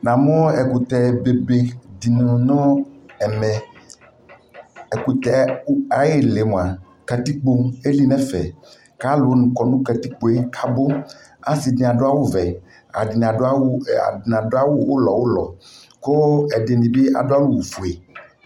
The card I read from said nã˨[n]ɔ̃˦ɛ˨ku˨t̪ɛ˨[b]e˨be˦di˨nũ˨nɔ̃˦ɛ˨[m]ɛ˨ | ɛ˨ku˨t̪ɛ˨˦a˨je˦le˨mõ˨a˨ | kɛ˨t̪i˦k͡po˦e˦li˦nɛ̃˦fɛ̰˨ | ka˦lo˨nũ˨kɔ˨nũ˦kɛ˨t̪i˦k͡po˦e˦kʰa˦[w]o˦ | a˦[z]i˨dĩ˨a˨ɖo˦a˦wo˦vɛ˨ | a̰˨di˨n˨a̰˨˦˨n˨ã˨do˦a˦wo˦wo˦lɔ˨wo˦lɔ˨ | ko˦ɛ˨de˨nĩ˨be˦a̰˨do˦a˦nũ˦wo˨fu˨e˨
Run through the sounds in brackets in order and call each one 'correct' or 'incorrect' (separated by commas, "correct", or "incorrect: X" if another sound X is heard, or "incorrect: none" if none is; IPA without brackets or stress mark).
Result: incorrect: m, correct, correct, incorrect: b, incorrect: s